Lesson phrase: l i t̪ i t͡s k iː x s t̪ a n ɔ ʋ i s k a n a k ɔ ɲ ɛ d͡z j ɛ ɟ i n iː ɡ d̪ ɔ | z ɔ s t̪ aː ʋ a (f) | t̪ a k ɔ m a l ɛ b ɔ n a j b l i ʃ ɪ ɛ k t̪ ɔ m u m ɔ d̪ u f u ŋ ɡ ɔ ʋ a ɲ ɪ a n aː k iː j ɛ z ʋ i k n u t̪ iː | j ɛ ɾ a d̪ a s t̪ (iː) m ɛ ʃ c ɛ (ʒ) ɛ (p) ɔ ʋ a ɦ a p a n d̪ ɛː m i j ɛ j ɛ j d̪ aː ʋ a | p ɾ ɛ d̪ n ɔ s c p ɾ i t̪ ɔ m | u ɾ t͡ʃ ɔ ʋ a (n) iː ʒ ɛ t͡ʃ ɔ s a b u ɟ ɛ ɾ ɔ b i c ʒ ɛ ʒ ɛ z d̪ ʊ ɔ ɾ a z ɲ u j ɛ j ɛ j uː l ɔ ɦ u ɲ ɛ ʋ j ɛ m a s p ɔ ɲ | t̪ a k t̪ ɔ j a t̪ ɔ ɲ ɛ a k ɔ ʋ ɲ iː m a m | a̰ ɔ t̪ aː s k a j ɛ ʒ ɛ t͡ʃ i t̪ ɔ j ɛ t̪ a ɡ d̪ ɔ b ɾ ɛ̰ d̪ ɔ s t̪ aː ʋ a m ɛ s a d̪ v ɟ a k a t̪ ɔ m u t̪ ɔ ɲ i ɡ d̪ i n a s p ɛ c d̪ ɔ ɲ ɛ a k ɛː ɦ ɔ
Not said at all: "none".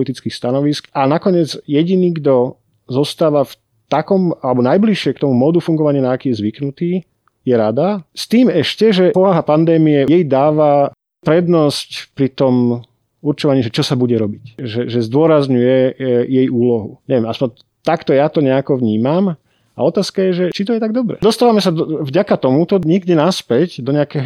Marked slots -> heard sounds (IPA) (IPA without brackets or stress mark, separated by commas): f, iː, ʒ, p, ɲ